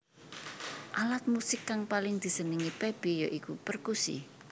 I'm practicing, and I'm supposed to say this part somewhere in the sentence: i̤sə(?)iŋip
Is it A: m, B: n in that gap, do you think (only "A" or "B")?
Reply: B